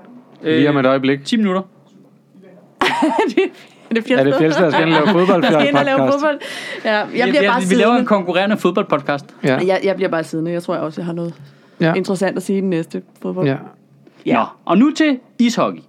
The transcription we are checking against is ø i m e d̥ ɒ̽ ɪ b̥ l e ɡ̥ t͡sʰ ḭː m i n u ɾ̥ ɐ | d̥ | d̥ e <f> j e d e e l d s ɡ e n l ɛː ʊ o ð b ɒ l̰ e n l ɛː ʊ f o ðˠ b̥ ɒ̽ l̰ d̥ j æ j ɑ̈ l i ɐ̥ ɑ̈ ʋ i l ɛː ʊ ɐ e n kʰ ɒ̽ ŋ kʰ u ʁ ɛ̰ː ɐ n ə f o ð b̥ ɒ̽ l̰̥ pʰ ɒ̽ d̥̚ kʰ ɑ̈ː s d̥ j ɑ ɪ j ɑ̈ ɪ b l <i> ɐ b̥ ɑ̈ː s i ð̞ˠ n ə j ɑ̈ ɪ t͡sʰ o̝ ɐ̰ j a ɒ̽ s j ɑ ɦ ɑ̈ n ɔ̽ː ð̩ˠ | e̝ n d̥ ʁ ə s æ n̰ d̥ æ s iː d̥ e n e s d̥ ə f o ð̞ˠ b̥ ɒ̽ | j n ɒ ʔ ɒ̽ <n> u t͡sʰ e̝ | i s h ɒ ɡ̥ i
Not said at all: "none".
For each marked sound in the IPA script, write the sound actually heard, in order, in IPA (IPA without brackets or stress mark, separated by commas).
f, i, n